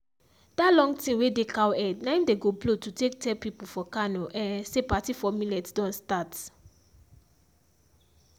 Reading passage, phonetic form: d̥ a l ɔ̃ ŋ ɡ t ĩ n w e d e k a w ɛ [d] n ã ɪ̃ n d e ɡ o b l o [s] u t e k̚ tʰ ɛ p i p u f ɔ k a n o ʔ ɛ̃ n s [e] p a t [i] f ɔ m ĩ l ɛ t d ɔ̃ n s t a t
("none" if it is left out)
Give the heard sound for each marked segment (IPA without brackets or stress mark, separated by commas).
d, t, e, i